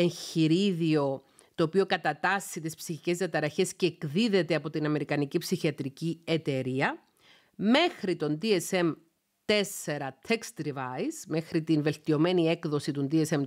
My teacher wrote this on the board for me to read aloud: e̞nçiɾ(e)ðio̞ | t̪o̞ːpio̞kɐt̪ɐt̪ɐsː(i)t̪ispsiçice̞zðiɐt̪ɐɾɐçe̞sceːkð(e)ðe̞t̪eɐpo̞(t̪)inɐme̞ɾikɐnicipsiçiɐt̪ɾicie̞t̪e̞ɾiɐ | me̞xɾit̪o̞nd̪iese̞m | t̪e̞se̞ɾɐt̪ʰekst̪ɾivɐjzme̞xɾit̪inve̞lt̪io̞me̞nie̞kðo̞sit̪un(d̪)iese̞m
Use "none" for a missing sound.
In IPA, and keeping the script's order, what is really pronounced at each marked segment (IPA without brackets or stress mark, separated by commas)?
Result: i, i, i, t̪, d̪